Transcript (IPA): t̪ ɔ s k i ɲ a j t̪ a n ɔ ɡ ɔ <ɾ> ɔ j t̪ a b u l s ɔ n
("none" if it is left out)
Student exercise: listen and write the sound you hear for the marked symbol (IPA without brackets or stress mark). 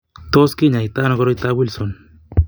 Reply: ɾ